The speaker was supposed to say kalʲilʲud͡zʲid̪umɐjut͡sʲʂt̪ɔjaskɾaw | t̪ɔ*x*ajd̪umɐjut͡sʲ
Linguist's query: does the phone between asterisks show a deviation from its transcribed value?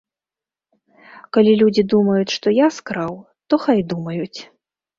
no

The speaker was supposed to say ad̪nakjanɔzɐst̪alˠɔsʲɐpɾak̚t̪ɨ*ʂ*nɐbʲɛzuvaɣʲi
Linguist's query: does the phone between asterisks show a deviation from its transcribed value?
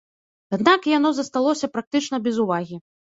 yes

